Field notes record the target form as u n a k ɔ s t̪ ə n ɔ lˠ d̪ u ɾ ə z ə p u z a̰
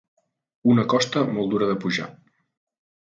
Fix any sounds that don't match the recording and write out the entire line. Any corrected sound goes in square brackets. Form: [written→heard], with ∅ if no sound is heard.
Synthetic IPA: u n [a→ə] k ɔ s t̪ ə [n→m] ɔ lˠ d̪ u ɾ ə [z→ð] ə p u [z→ʒ] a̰